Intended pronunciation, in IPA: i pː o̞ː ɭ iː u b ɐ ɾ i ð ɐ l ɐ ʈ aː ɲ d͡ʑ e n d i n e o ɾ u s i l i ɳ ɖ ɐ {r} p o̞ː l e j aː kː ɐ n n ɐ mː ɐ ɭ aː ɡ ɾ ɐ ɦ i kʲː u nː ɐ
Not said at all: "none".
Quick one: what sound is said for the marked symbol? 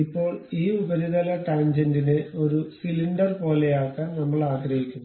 r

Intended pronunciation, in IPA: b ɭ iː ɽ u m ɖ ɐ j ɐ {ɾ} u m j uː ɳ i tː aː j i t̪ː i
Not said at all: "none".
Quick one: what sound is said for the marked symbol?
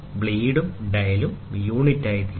l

